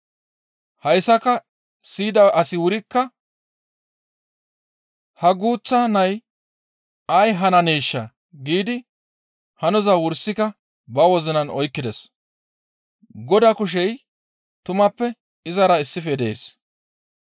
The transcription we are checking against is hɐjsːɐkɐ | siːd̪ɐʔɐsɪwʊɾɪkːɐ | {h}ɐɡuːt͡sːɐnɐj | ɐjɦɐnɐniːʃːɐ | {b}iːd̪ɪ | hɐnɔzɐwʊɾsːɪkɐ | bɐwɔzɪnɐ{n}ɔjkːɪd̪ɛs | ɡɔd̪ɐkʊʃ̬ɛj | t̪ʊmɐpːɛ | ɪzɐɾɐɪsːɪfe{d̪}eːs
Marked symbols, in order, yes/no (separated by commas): yes, no, yes, yes